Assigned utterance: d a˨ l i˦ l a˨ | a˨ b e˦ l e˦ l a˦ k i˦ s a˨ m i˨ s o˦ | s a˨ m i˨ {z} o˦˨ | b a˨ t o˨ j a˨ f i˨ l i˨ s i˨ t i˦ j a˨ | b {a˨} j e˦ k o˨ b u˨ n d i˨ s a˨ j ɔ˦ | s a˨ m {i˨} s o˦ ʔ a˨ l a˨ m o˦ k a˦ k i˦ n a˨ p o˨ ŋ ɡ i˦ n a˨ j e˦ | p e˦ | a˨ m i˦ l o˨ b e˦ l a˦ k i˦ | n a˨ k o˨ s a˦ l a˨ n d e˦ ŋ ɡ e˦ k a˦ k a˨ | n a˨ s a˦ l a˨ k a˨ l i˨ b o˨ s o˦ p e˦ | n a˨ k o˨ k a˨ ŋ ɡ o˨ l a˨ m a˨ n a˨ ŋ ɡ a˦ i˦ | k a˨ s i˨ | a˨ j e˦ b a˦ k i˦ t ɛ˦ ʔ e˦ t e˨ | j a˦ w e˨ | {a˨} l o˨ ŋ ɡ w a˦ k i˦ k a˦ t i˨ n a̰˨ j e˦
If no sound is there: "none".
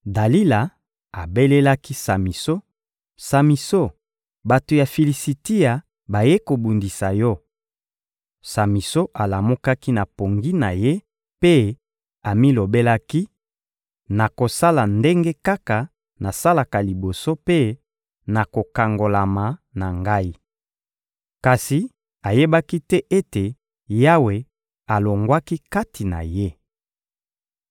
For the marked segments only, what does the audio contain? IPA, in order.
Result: s, a˨, i˨, a˨

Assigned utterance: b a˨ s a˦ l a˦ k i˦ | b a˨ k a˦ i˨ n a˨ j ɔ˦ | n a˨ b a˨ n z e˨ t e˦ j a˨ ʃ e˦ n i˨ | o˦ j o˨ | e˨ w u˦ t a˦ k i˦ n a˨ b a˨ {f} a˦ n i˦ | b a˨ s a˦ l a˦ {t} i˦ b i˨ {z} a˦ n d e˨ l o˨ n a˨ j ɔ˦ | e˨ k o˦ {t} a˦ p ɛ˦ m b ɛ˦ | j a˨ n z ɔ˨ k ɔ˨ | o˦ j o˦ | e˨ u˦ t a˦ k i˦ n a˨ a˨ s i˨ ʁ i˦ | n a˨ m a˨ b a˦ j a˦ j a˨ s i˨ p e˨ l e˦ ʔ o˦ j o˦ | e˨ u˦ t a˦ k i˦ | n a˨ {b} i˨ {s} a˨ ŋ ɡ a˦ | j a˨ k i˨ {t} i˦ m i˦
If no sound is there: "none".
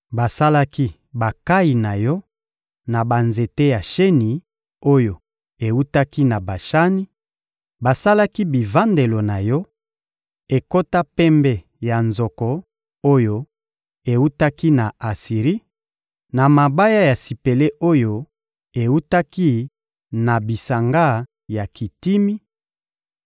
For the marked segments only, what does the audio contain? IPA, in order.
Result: ʃ, k, v, t, b, s, t

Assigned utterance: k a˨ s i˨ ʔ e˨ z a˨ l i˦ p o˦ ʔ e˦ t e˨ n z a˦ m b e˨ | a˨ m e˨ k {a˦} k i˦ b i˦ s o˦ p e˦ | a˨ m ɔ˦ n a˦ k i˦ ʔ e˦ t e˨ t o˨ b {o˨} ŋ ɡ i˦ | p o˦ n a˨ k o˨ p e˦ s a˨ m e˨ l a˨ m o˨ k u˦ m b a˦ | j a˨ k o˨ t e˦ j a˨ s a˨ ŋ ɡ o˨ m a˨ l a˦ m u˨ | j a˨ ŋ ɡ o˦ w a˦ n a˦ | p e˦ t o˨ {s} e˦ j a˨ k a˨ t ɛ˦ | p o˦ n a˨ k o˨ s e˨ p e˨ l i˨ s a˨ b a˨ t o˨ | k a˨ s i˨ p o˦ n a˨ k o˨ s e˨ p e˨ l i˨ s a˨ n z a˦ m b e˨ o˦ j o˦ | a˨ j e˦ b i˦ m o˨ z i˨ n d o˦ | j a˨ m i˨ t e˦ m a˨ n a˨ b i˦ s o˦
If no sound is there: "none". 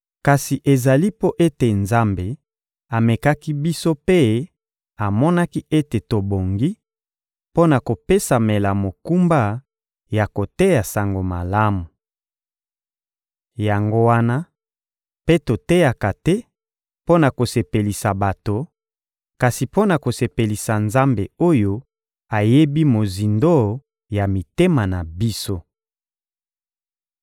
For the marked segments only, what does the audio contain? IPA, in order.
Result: a˦, o˨, t

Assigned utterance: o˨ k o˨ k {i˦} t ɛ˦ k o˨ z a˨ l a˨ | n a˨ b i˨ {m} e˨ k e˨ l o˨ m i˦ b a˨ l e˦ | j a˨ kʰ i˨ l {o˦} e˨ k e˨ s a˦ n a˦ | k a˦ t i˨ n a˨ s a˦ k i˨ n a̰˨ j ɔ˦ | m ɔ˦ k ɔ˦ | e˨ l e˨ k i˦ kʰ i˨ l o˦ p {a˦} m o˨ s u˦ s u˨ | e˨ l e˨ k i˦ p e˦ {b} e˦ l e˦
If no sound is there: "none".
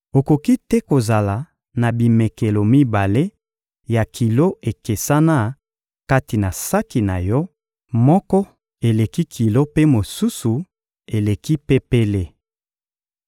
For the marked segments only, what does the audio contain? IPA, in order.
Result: i˦, m, o˦, e˦, p

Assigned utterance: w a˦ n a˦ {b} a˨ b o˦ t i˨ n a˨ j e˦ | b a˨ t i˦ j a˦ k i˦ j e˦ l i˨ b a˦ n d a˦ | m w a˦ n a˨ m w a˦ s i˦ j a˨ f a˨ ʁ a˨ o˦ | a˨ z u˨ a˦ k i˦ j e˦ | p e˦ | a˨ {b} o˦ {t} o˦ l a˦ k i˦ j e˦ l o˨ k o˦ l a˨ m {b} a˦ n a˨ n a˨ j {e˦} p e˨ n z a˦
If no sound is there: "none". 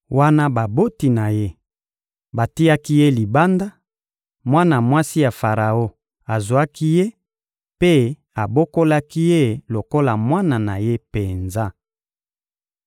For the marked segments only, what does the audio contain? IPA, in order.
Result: b, b, k, w, e˦

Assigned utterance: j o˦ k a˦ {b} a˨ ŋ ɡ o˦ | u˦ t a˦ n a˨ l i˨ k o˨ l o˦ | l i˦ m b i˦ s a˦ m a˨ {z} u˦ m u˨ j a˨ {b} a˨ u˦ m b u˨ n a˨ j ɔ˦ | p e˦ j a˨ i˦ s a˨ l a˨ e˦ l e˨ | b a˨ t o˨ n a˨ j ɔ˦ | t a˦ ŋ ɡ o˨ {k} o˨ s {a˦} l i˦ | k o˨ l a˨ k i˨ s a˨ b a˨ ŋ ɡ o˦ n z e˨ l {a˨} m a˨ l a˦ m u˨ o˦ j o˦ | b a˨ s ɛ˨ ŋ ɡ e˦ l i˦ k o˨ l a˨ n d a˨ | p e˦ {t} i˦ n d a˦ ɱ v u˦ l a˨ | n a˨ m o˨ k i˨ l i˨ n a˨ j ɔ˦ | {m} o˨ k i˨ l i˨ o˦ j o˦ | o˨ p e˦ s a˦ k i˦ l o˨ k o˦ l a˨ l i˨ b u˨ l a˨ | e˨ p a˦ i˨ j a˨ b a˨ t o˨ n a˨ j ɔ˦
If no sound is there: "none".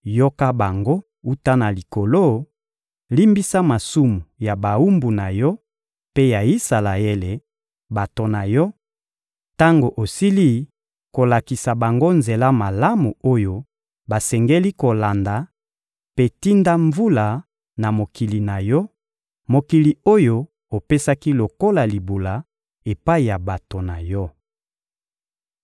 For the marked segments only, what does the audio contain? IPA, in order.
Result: b, s, b, ʔ, i˦, a˦, t, m

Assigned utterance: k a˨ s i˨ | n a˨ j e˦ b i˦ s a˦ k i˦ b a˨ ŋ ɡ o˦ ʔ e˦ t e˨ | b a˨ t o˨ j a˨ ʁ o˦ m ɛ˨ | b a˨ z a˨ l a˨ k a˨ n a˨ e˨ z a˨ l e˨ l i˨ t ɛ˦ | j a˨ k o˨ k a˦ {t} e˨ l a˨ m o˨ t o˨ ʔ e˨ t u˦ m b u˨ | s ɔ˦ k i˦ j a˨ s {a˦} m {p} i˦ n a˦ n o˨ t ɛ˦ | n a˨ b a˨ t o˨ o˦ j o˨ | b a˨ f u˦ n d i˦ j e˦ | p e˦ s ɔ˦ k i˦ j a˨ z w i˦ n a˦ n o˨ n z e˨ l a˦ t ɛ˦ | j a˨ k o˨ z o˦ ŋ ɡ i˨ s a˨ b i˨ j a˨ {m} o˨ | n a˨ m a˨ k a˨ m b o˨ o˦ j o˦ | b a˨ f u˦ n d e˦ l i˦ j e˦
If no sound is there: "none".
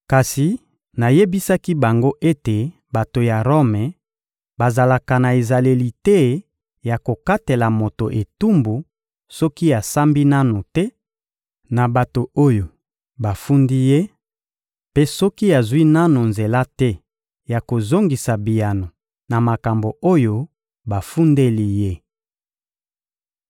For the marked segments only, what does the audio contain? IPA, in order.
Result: t, a˦, b, n

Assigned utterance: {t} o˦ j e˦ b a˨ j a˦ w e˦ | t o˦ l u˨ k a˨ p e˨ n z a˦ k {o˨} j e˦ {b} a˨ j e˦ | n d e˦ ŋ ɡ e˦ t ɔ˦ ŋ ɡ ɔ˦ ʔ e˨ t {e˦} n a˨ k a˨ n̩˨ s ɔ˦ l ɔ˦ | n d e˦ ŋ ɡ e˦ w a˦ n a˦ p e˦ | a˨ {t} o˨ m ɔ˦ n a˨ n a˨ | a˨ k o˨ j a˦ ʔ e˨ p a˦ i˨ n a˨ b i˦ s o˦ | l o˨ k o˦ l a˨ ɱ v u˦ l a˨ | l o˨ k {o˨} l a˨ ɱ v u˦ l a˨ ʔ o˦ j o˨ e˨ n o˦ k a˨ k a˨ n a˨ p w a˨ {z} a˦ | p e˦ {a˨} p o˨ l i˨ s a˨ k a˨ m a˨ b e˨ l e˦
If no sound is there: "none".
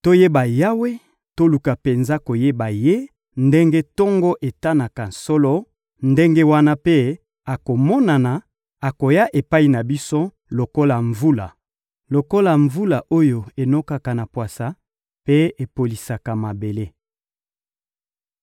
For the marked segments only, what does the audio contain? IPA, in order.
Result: t, o˨, b, a˦, k, o˦, s, e˨

